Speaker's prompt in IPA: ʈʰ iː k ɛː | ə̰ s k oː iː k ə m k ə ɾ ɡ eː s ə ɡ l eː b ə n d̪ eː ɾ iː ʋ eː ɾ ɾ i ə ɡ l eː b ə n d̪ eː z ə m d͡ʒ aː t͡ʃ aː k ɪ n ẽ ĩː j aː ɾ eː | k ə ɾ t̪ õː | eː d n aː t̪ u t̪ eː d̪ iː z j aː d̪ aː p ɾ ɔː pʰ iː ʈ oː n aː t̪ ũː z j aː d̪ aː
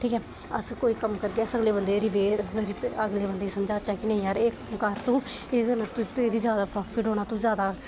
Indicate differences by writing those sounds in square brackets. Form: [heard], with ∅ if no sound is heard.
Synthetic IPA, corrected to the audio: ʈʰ iː k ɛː | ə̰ s k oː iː k ə m k ə ɾ ɡ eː s ə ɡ l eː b ə n d̪ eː ɾ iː ʋ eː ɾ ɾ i ə ɡ l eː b ə n d̪ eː [s] ə m d͡ʒ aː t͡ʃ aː k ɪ n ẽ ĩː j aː ɾ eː | k ə ɾ t̪ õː | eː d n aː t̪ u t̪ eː d̪ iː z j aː d̪ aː p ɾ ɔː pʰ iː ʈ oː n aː t̪ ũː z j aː d̪ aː